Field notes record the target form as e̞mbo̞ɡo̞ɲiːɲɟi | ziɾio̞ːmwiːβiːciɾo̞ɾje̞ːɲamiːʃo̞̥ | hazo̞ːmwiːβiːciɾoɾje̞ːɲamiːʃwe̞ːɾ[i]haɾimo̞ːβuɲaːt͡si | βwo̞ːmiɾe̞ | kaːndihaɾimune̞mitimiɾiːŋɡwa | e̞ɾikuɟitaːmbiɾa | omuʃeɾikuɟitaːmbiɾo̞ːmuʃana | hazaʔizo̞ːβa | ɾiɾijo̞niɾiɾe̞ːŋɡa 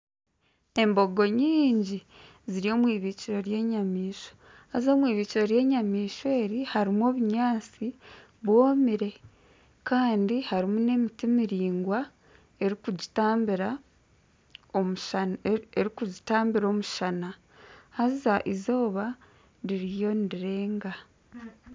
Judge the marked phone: correct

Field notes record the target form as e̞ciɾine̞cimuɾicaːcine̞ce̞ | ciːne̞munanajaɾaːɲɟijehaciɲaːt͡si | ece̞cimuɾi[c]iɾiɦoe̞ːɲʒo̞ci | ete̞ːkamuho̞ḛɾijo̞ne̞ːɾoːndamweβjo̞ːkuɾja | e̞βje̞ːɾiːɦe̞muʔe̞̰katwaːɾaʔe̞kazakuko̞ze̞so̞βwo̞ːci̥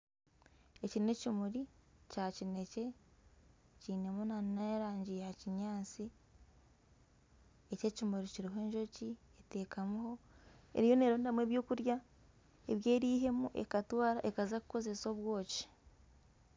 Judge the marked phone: correct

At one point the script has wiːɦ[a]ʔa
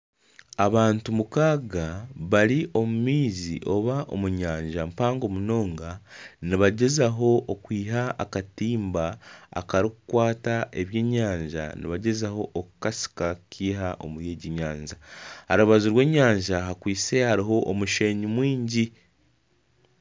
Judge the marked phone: correct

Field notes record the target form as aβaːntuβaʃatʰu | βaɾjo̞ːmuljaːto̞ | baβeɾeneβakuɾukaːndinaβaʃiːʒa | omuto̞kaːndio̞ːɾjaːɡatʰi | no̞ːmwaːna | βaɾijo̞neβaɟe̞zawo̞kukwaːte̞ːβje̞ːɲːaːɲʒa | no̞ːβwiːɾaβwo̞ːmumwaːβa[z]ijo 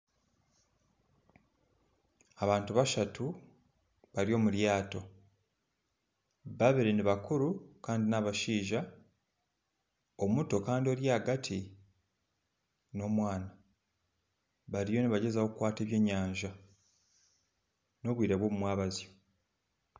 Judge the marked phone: correct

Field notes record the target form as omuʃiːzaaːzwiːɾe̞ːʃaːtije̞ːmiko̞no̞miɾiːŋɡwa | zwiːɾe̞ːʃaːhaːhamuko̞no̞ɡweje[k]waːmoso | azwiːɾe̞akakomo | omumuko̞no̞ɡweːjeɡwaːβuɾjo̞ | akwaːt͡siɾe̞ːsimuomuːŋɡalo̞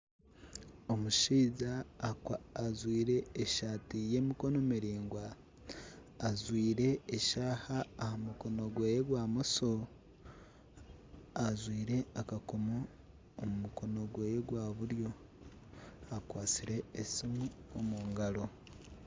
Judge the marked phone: incorrect: ɡ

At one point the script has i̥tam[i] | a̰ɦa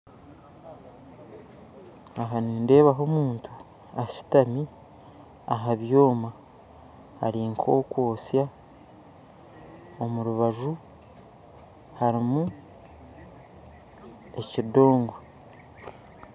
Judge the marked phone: correct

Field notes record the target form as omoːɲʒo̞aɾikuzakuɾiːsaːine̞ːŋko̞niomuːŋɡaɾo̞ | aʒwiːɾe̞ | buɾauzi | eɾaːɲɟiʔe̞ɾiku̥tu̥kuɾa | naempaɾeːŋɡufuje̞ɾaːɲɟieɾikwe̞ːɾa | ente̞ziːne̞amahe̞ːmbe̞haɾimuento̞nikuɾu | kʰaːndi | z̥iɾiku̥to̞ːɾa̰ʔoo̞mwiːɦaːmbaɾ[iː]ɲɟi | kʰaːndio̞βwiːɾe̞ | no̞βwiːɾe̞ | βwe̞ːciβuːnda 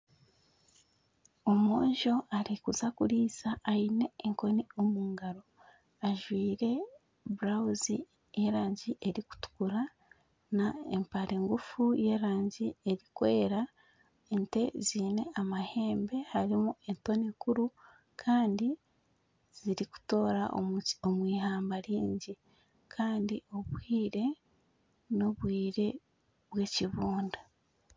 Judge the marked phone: correct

